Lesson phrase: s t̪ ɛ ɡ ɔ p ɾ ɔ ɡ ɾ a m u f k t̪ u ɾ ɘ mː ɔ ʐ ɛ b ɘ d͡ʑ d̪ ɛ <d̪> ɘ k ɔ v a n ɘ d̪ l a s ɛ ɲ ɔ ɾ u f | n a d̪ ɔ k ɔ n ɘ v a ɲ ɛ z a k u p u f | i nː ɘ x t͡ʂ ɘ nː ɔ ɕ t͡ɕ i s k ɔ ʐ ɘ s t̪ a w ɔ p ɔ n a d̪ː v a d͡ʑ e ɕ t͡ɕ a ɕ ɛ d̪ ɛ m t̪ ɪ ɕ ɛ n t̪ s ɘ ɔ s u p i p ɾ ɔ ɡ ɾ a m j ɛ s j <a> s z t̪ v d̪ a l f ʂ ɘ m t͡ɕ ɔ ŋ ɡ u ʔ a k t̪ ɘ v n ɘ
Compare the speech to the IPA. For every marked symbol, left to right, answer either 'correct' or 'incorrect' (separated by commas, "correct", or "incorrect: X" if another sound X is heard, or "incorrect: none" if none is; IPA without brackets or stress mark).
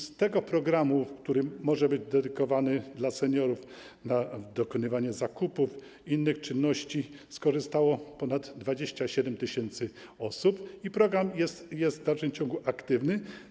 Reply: correct, incorrect: ɛ